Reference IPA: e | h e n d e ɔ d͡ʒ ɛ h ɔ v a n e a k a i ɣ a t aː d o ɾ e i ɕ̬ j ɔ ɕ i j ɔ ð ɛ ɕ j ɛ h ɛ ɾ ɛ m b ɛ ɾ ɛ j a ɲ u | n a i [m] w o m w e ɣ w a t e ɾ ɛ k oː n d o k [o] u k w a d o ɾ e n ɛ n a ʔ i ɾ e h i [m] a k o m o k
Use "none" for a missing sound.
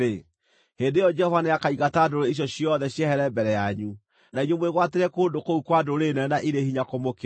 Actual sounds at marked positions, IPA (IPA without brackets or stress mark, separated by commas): ɲ, o, ɲ